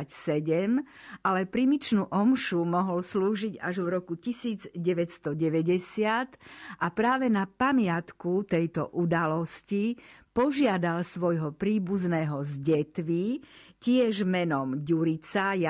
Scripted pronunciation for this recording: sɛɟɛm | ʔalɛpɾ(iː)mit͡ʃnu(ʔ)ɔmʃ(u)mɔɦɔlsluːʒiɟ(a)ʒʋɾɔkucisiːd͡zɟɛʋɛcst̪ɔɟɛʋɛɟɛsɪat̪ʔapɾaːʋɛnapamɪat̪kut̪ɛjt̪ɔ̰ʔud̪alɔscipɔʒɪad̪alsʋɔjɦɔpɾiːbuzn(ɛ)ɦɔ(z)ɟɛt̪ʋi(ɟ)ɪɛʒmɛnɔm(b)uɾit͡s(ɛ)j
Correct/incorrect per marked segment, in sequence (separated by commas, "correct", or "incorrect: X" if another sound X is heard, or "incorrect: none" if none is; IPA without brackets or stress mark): incorrect: i, correct, correct, correct, incorrect: ɛː, correct, incorrect: c, incorrect: ɟ, incorrect: a